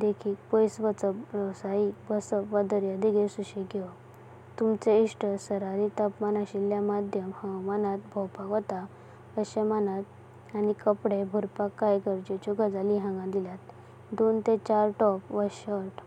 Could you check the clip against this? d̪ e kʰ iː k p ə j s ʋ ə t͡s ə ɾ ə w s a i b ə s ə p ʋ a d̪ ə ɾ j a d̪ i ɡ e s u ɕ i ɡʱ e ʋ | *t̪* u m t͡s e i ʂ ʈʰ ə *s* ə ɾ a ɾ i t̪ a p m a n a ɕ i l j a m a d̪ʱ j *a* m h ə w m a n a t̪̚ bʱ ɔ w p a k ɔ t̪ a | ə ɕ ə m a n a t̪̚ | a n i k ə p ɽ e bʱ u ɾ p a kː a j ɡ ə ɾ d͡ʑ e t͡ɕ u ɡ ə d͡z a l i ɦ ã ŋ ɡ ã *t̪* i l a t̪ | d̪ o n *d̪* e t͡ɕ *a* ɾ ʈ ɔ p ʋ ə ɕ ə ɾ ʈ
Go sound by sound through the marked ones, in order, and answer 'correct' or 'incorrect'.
correct, correct, incorrect: ə, incorrect: d̪, incorrect: t̪, correct

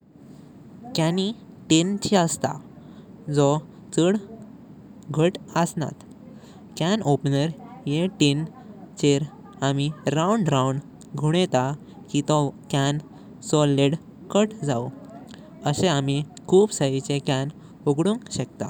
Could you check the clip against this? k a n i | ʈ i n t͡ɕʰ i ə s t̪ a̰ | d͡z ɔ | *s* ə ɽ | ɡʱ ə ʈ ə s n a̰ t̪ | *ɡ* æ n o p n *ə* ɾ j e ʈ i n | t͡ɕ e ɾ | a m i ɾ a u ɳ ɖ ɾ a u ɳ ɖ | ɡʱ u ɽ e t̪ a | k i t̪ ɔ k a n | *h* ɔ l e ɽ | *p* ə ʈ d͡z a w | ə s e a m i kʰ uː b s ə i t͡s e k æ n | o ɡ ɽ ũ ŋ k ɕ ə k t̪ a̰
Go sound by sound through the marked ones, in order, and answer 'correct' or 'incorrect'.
incorrect: t͡s, incorrect: k, correct, incorrect: s, incorrect: k

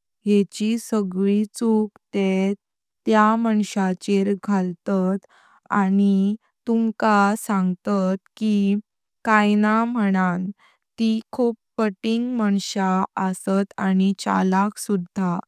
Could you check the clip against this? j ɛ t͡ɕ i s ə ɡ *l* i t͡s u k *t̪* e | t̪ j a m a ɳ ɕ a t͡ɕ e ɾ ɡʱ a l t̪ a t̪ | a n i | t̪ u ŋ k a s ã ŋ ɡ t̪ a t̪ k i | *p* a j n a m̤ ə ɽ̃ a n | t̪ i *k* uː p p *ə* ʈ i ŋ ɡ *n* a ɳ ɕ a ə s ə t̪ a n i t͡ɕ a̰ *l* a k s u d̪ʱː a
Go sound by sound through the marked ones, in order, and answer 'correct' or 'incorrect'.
incorrect: ɭ, correct, incorrect: k, incorrect: kʰ, correct, incorrect: m, correct

